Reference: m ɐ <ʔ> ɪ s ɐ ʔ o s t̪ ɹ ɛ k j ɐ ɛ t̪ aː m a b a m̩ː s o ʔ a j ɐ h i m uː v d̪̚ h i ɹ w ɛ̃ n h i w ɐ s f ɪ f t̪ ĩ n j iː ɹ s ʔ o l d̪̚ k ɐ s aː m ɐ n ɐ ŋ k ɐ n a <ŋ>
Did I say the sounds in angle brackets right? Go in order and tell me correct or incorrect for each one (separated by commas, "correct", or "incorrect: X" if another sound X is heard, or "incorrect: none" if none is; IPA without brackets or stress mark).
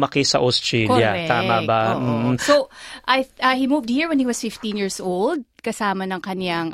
incorrect: k, correct